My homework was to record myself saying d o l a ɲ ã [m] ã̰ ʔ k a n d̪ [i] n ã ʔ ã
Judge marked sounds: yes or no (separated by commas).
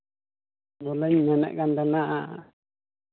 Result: no, no